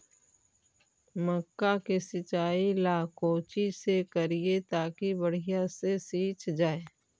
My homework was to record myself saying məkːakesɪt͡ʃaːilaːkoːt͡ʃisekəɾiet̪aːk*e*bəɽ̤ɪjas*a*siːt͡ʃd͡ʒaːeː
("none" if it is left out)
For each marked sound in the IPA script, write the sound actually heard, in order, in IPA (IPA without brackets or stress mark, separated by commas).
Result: i, e